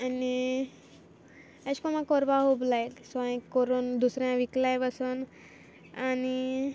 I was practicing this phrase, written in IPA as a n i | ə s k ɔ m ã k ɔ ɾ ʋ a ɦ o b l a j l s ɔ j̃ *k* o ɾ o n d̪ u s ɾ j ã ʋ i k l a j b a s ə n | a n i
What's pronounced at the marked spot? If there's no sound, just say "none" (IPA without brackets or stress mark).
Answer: k